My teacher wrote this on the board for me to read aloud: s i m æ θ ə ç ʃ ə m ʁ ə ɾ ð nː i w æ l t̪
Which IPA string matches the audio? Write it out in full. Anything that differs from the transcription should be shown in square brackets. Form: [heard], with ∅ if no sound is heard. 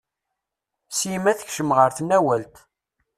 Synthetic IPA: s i m æ θ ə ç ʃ ə m ʁ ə ɾ [θ] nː [æ] w æ l t̪

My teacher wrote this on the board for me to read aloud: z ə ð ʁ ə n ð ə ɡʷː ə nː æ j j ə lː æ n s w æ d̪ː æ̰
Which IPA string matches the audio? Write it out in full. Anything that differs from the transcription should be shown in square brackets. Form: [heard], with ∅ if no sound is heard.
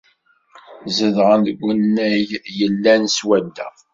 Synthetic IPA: z ə ð ʁ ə n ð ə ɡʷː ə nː æ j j ə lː æ n s w æ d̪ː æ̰

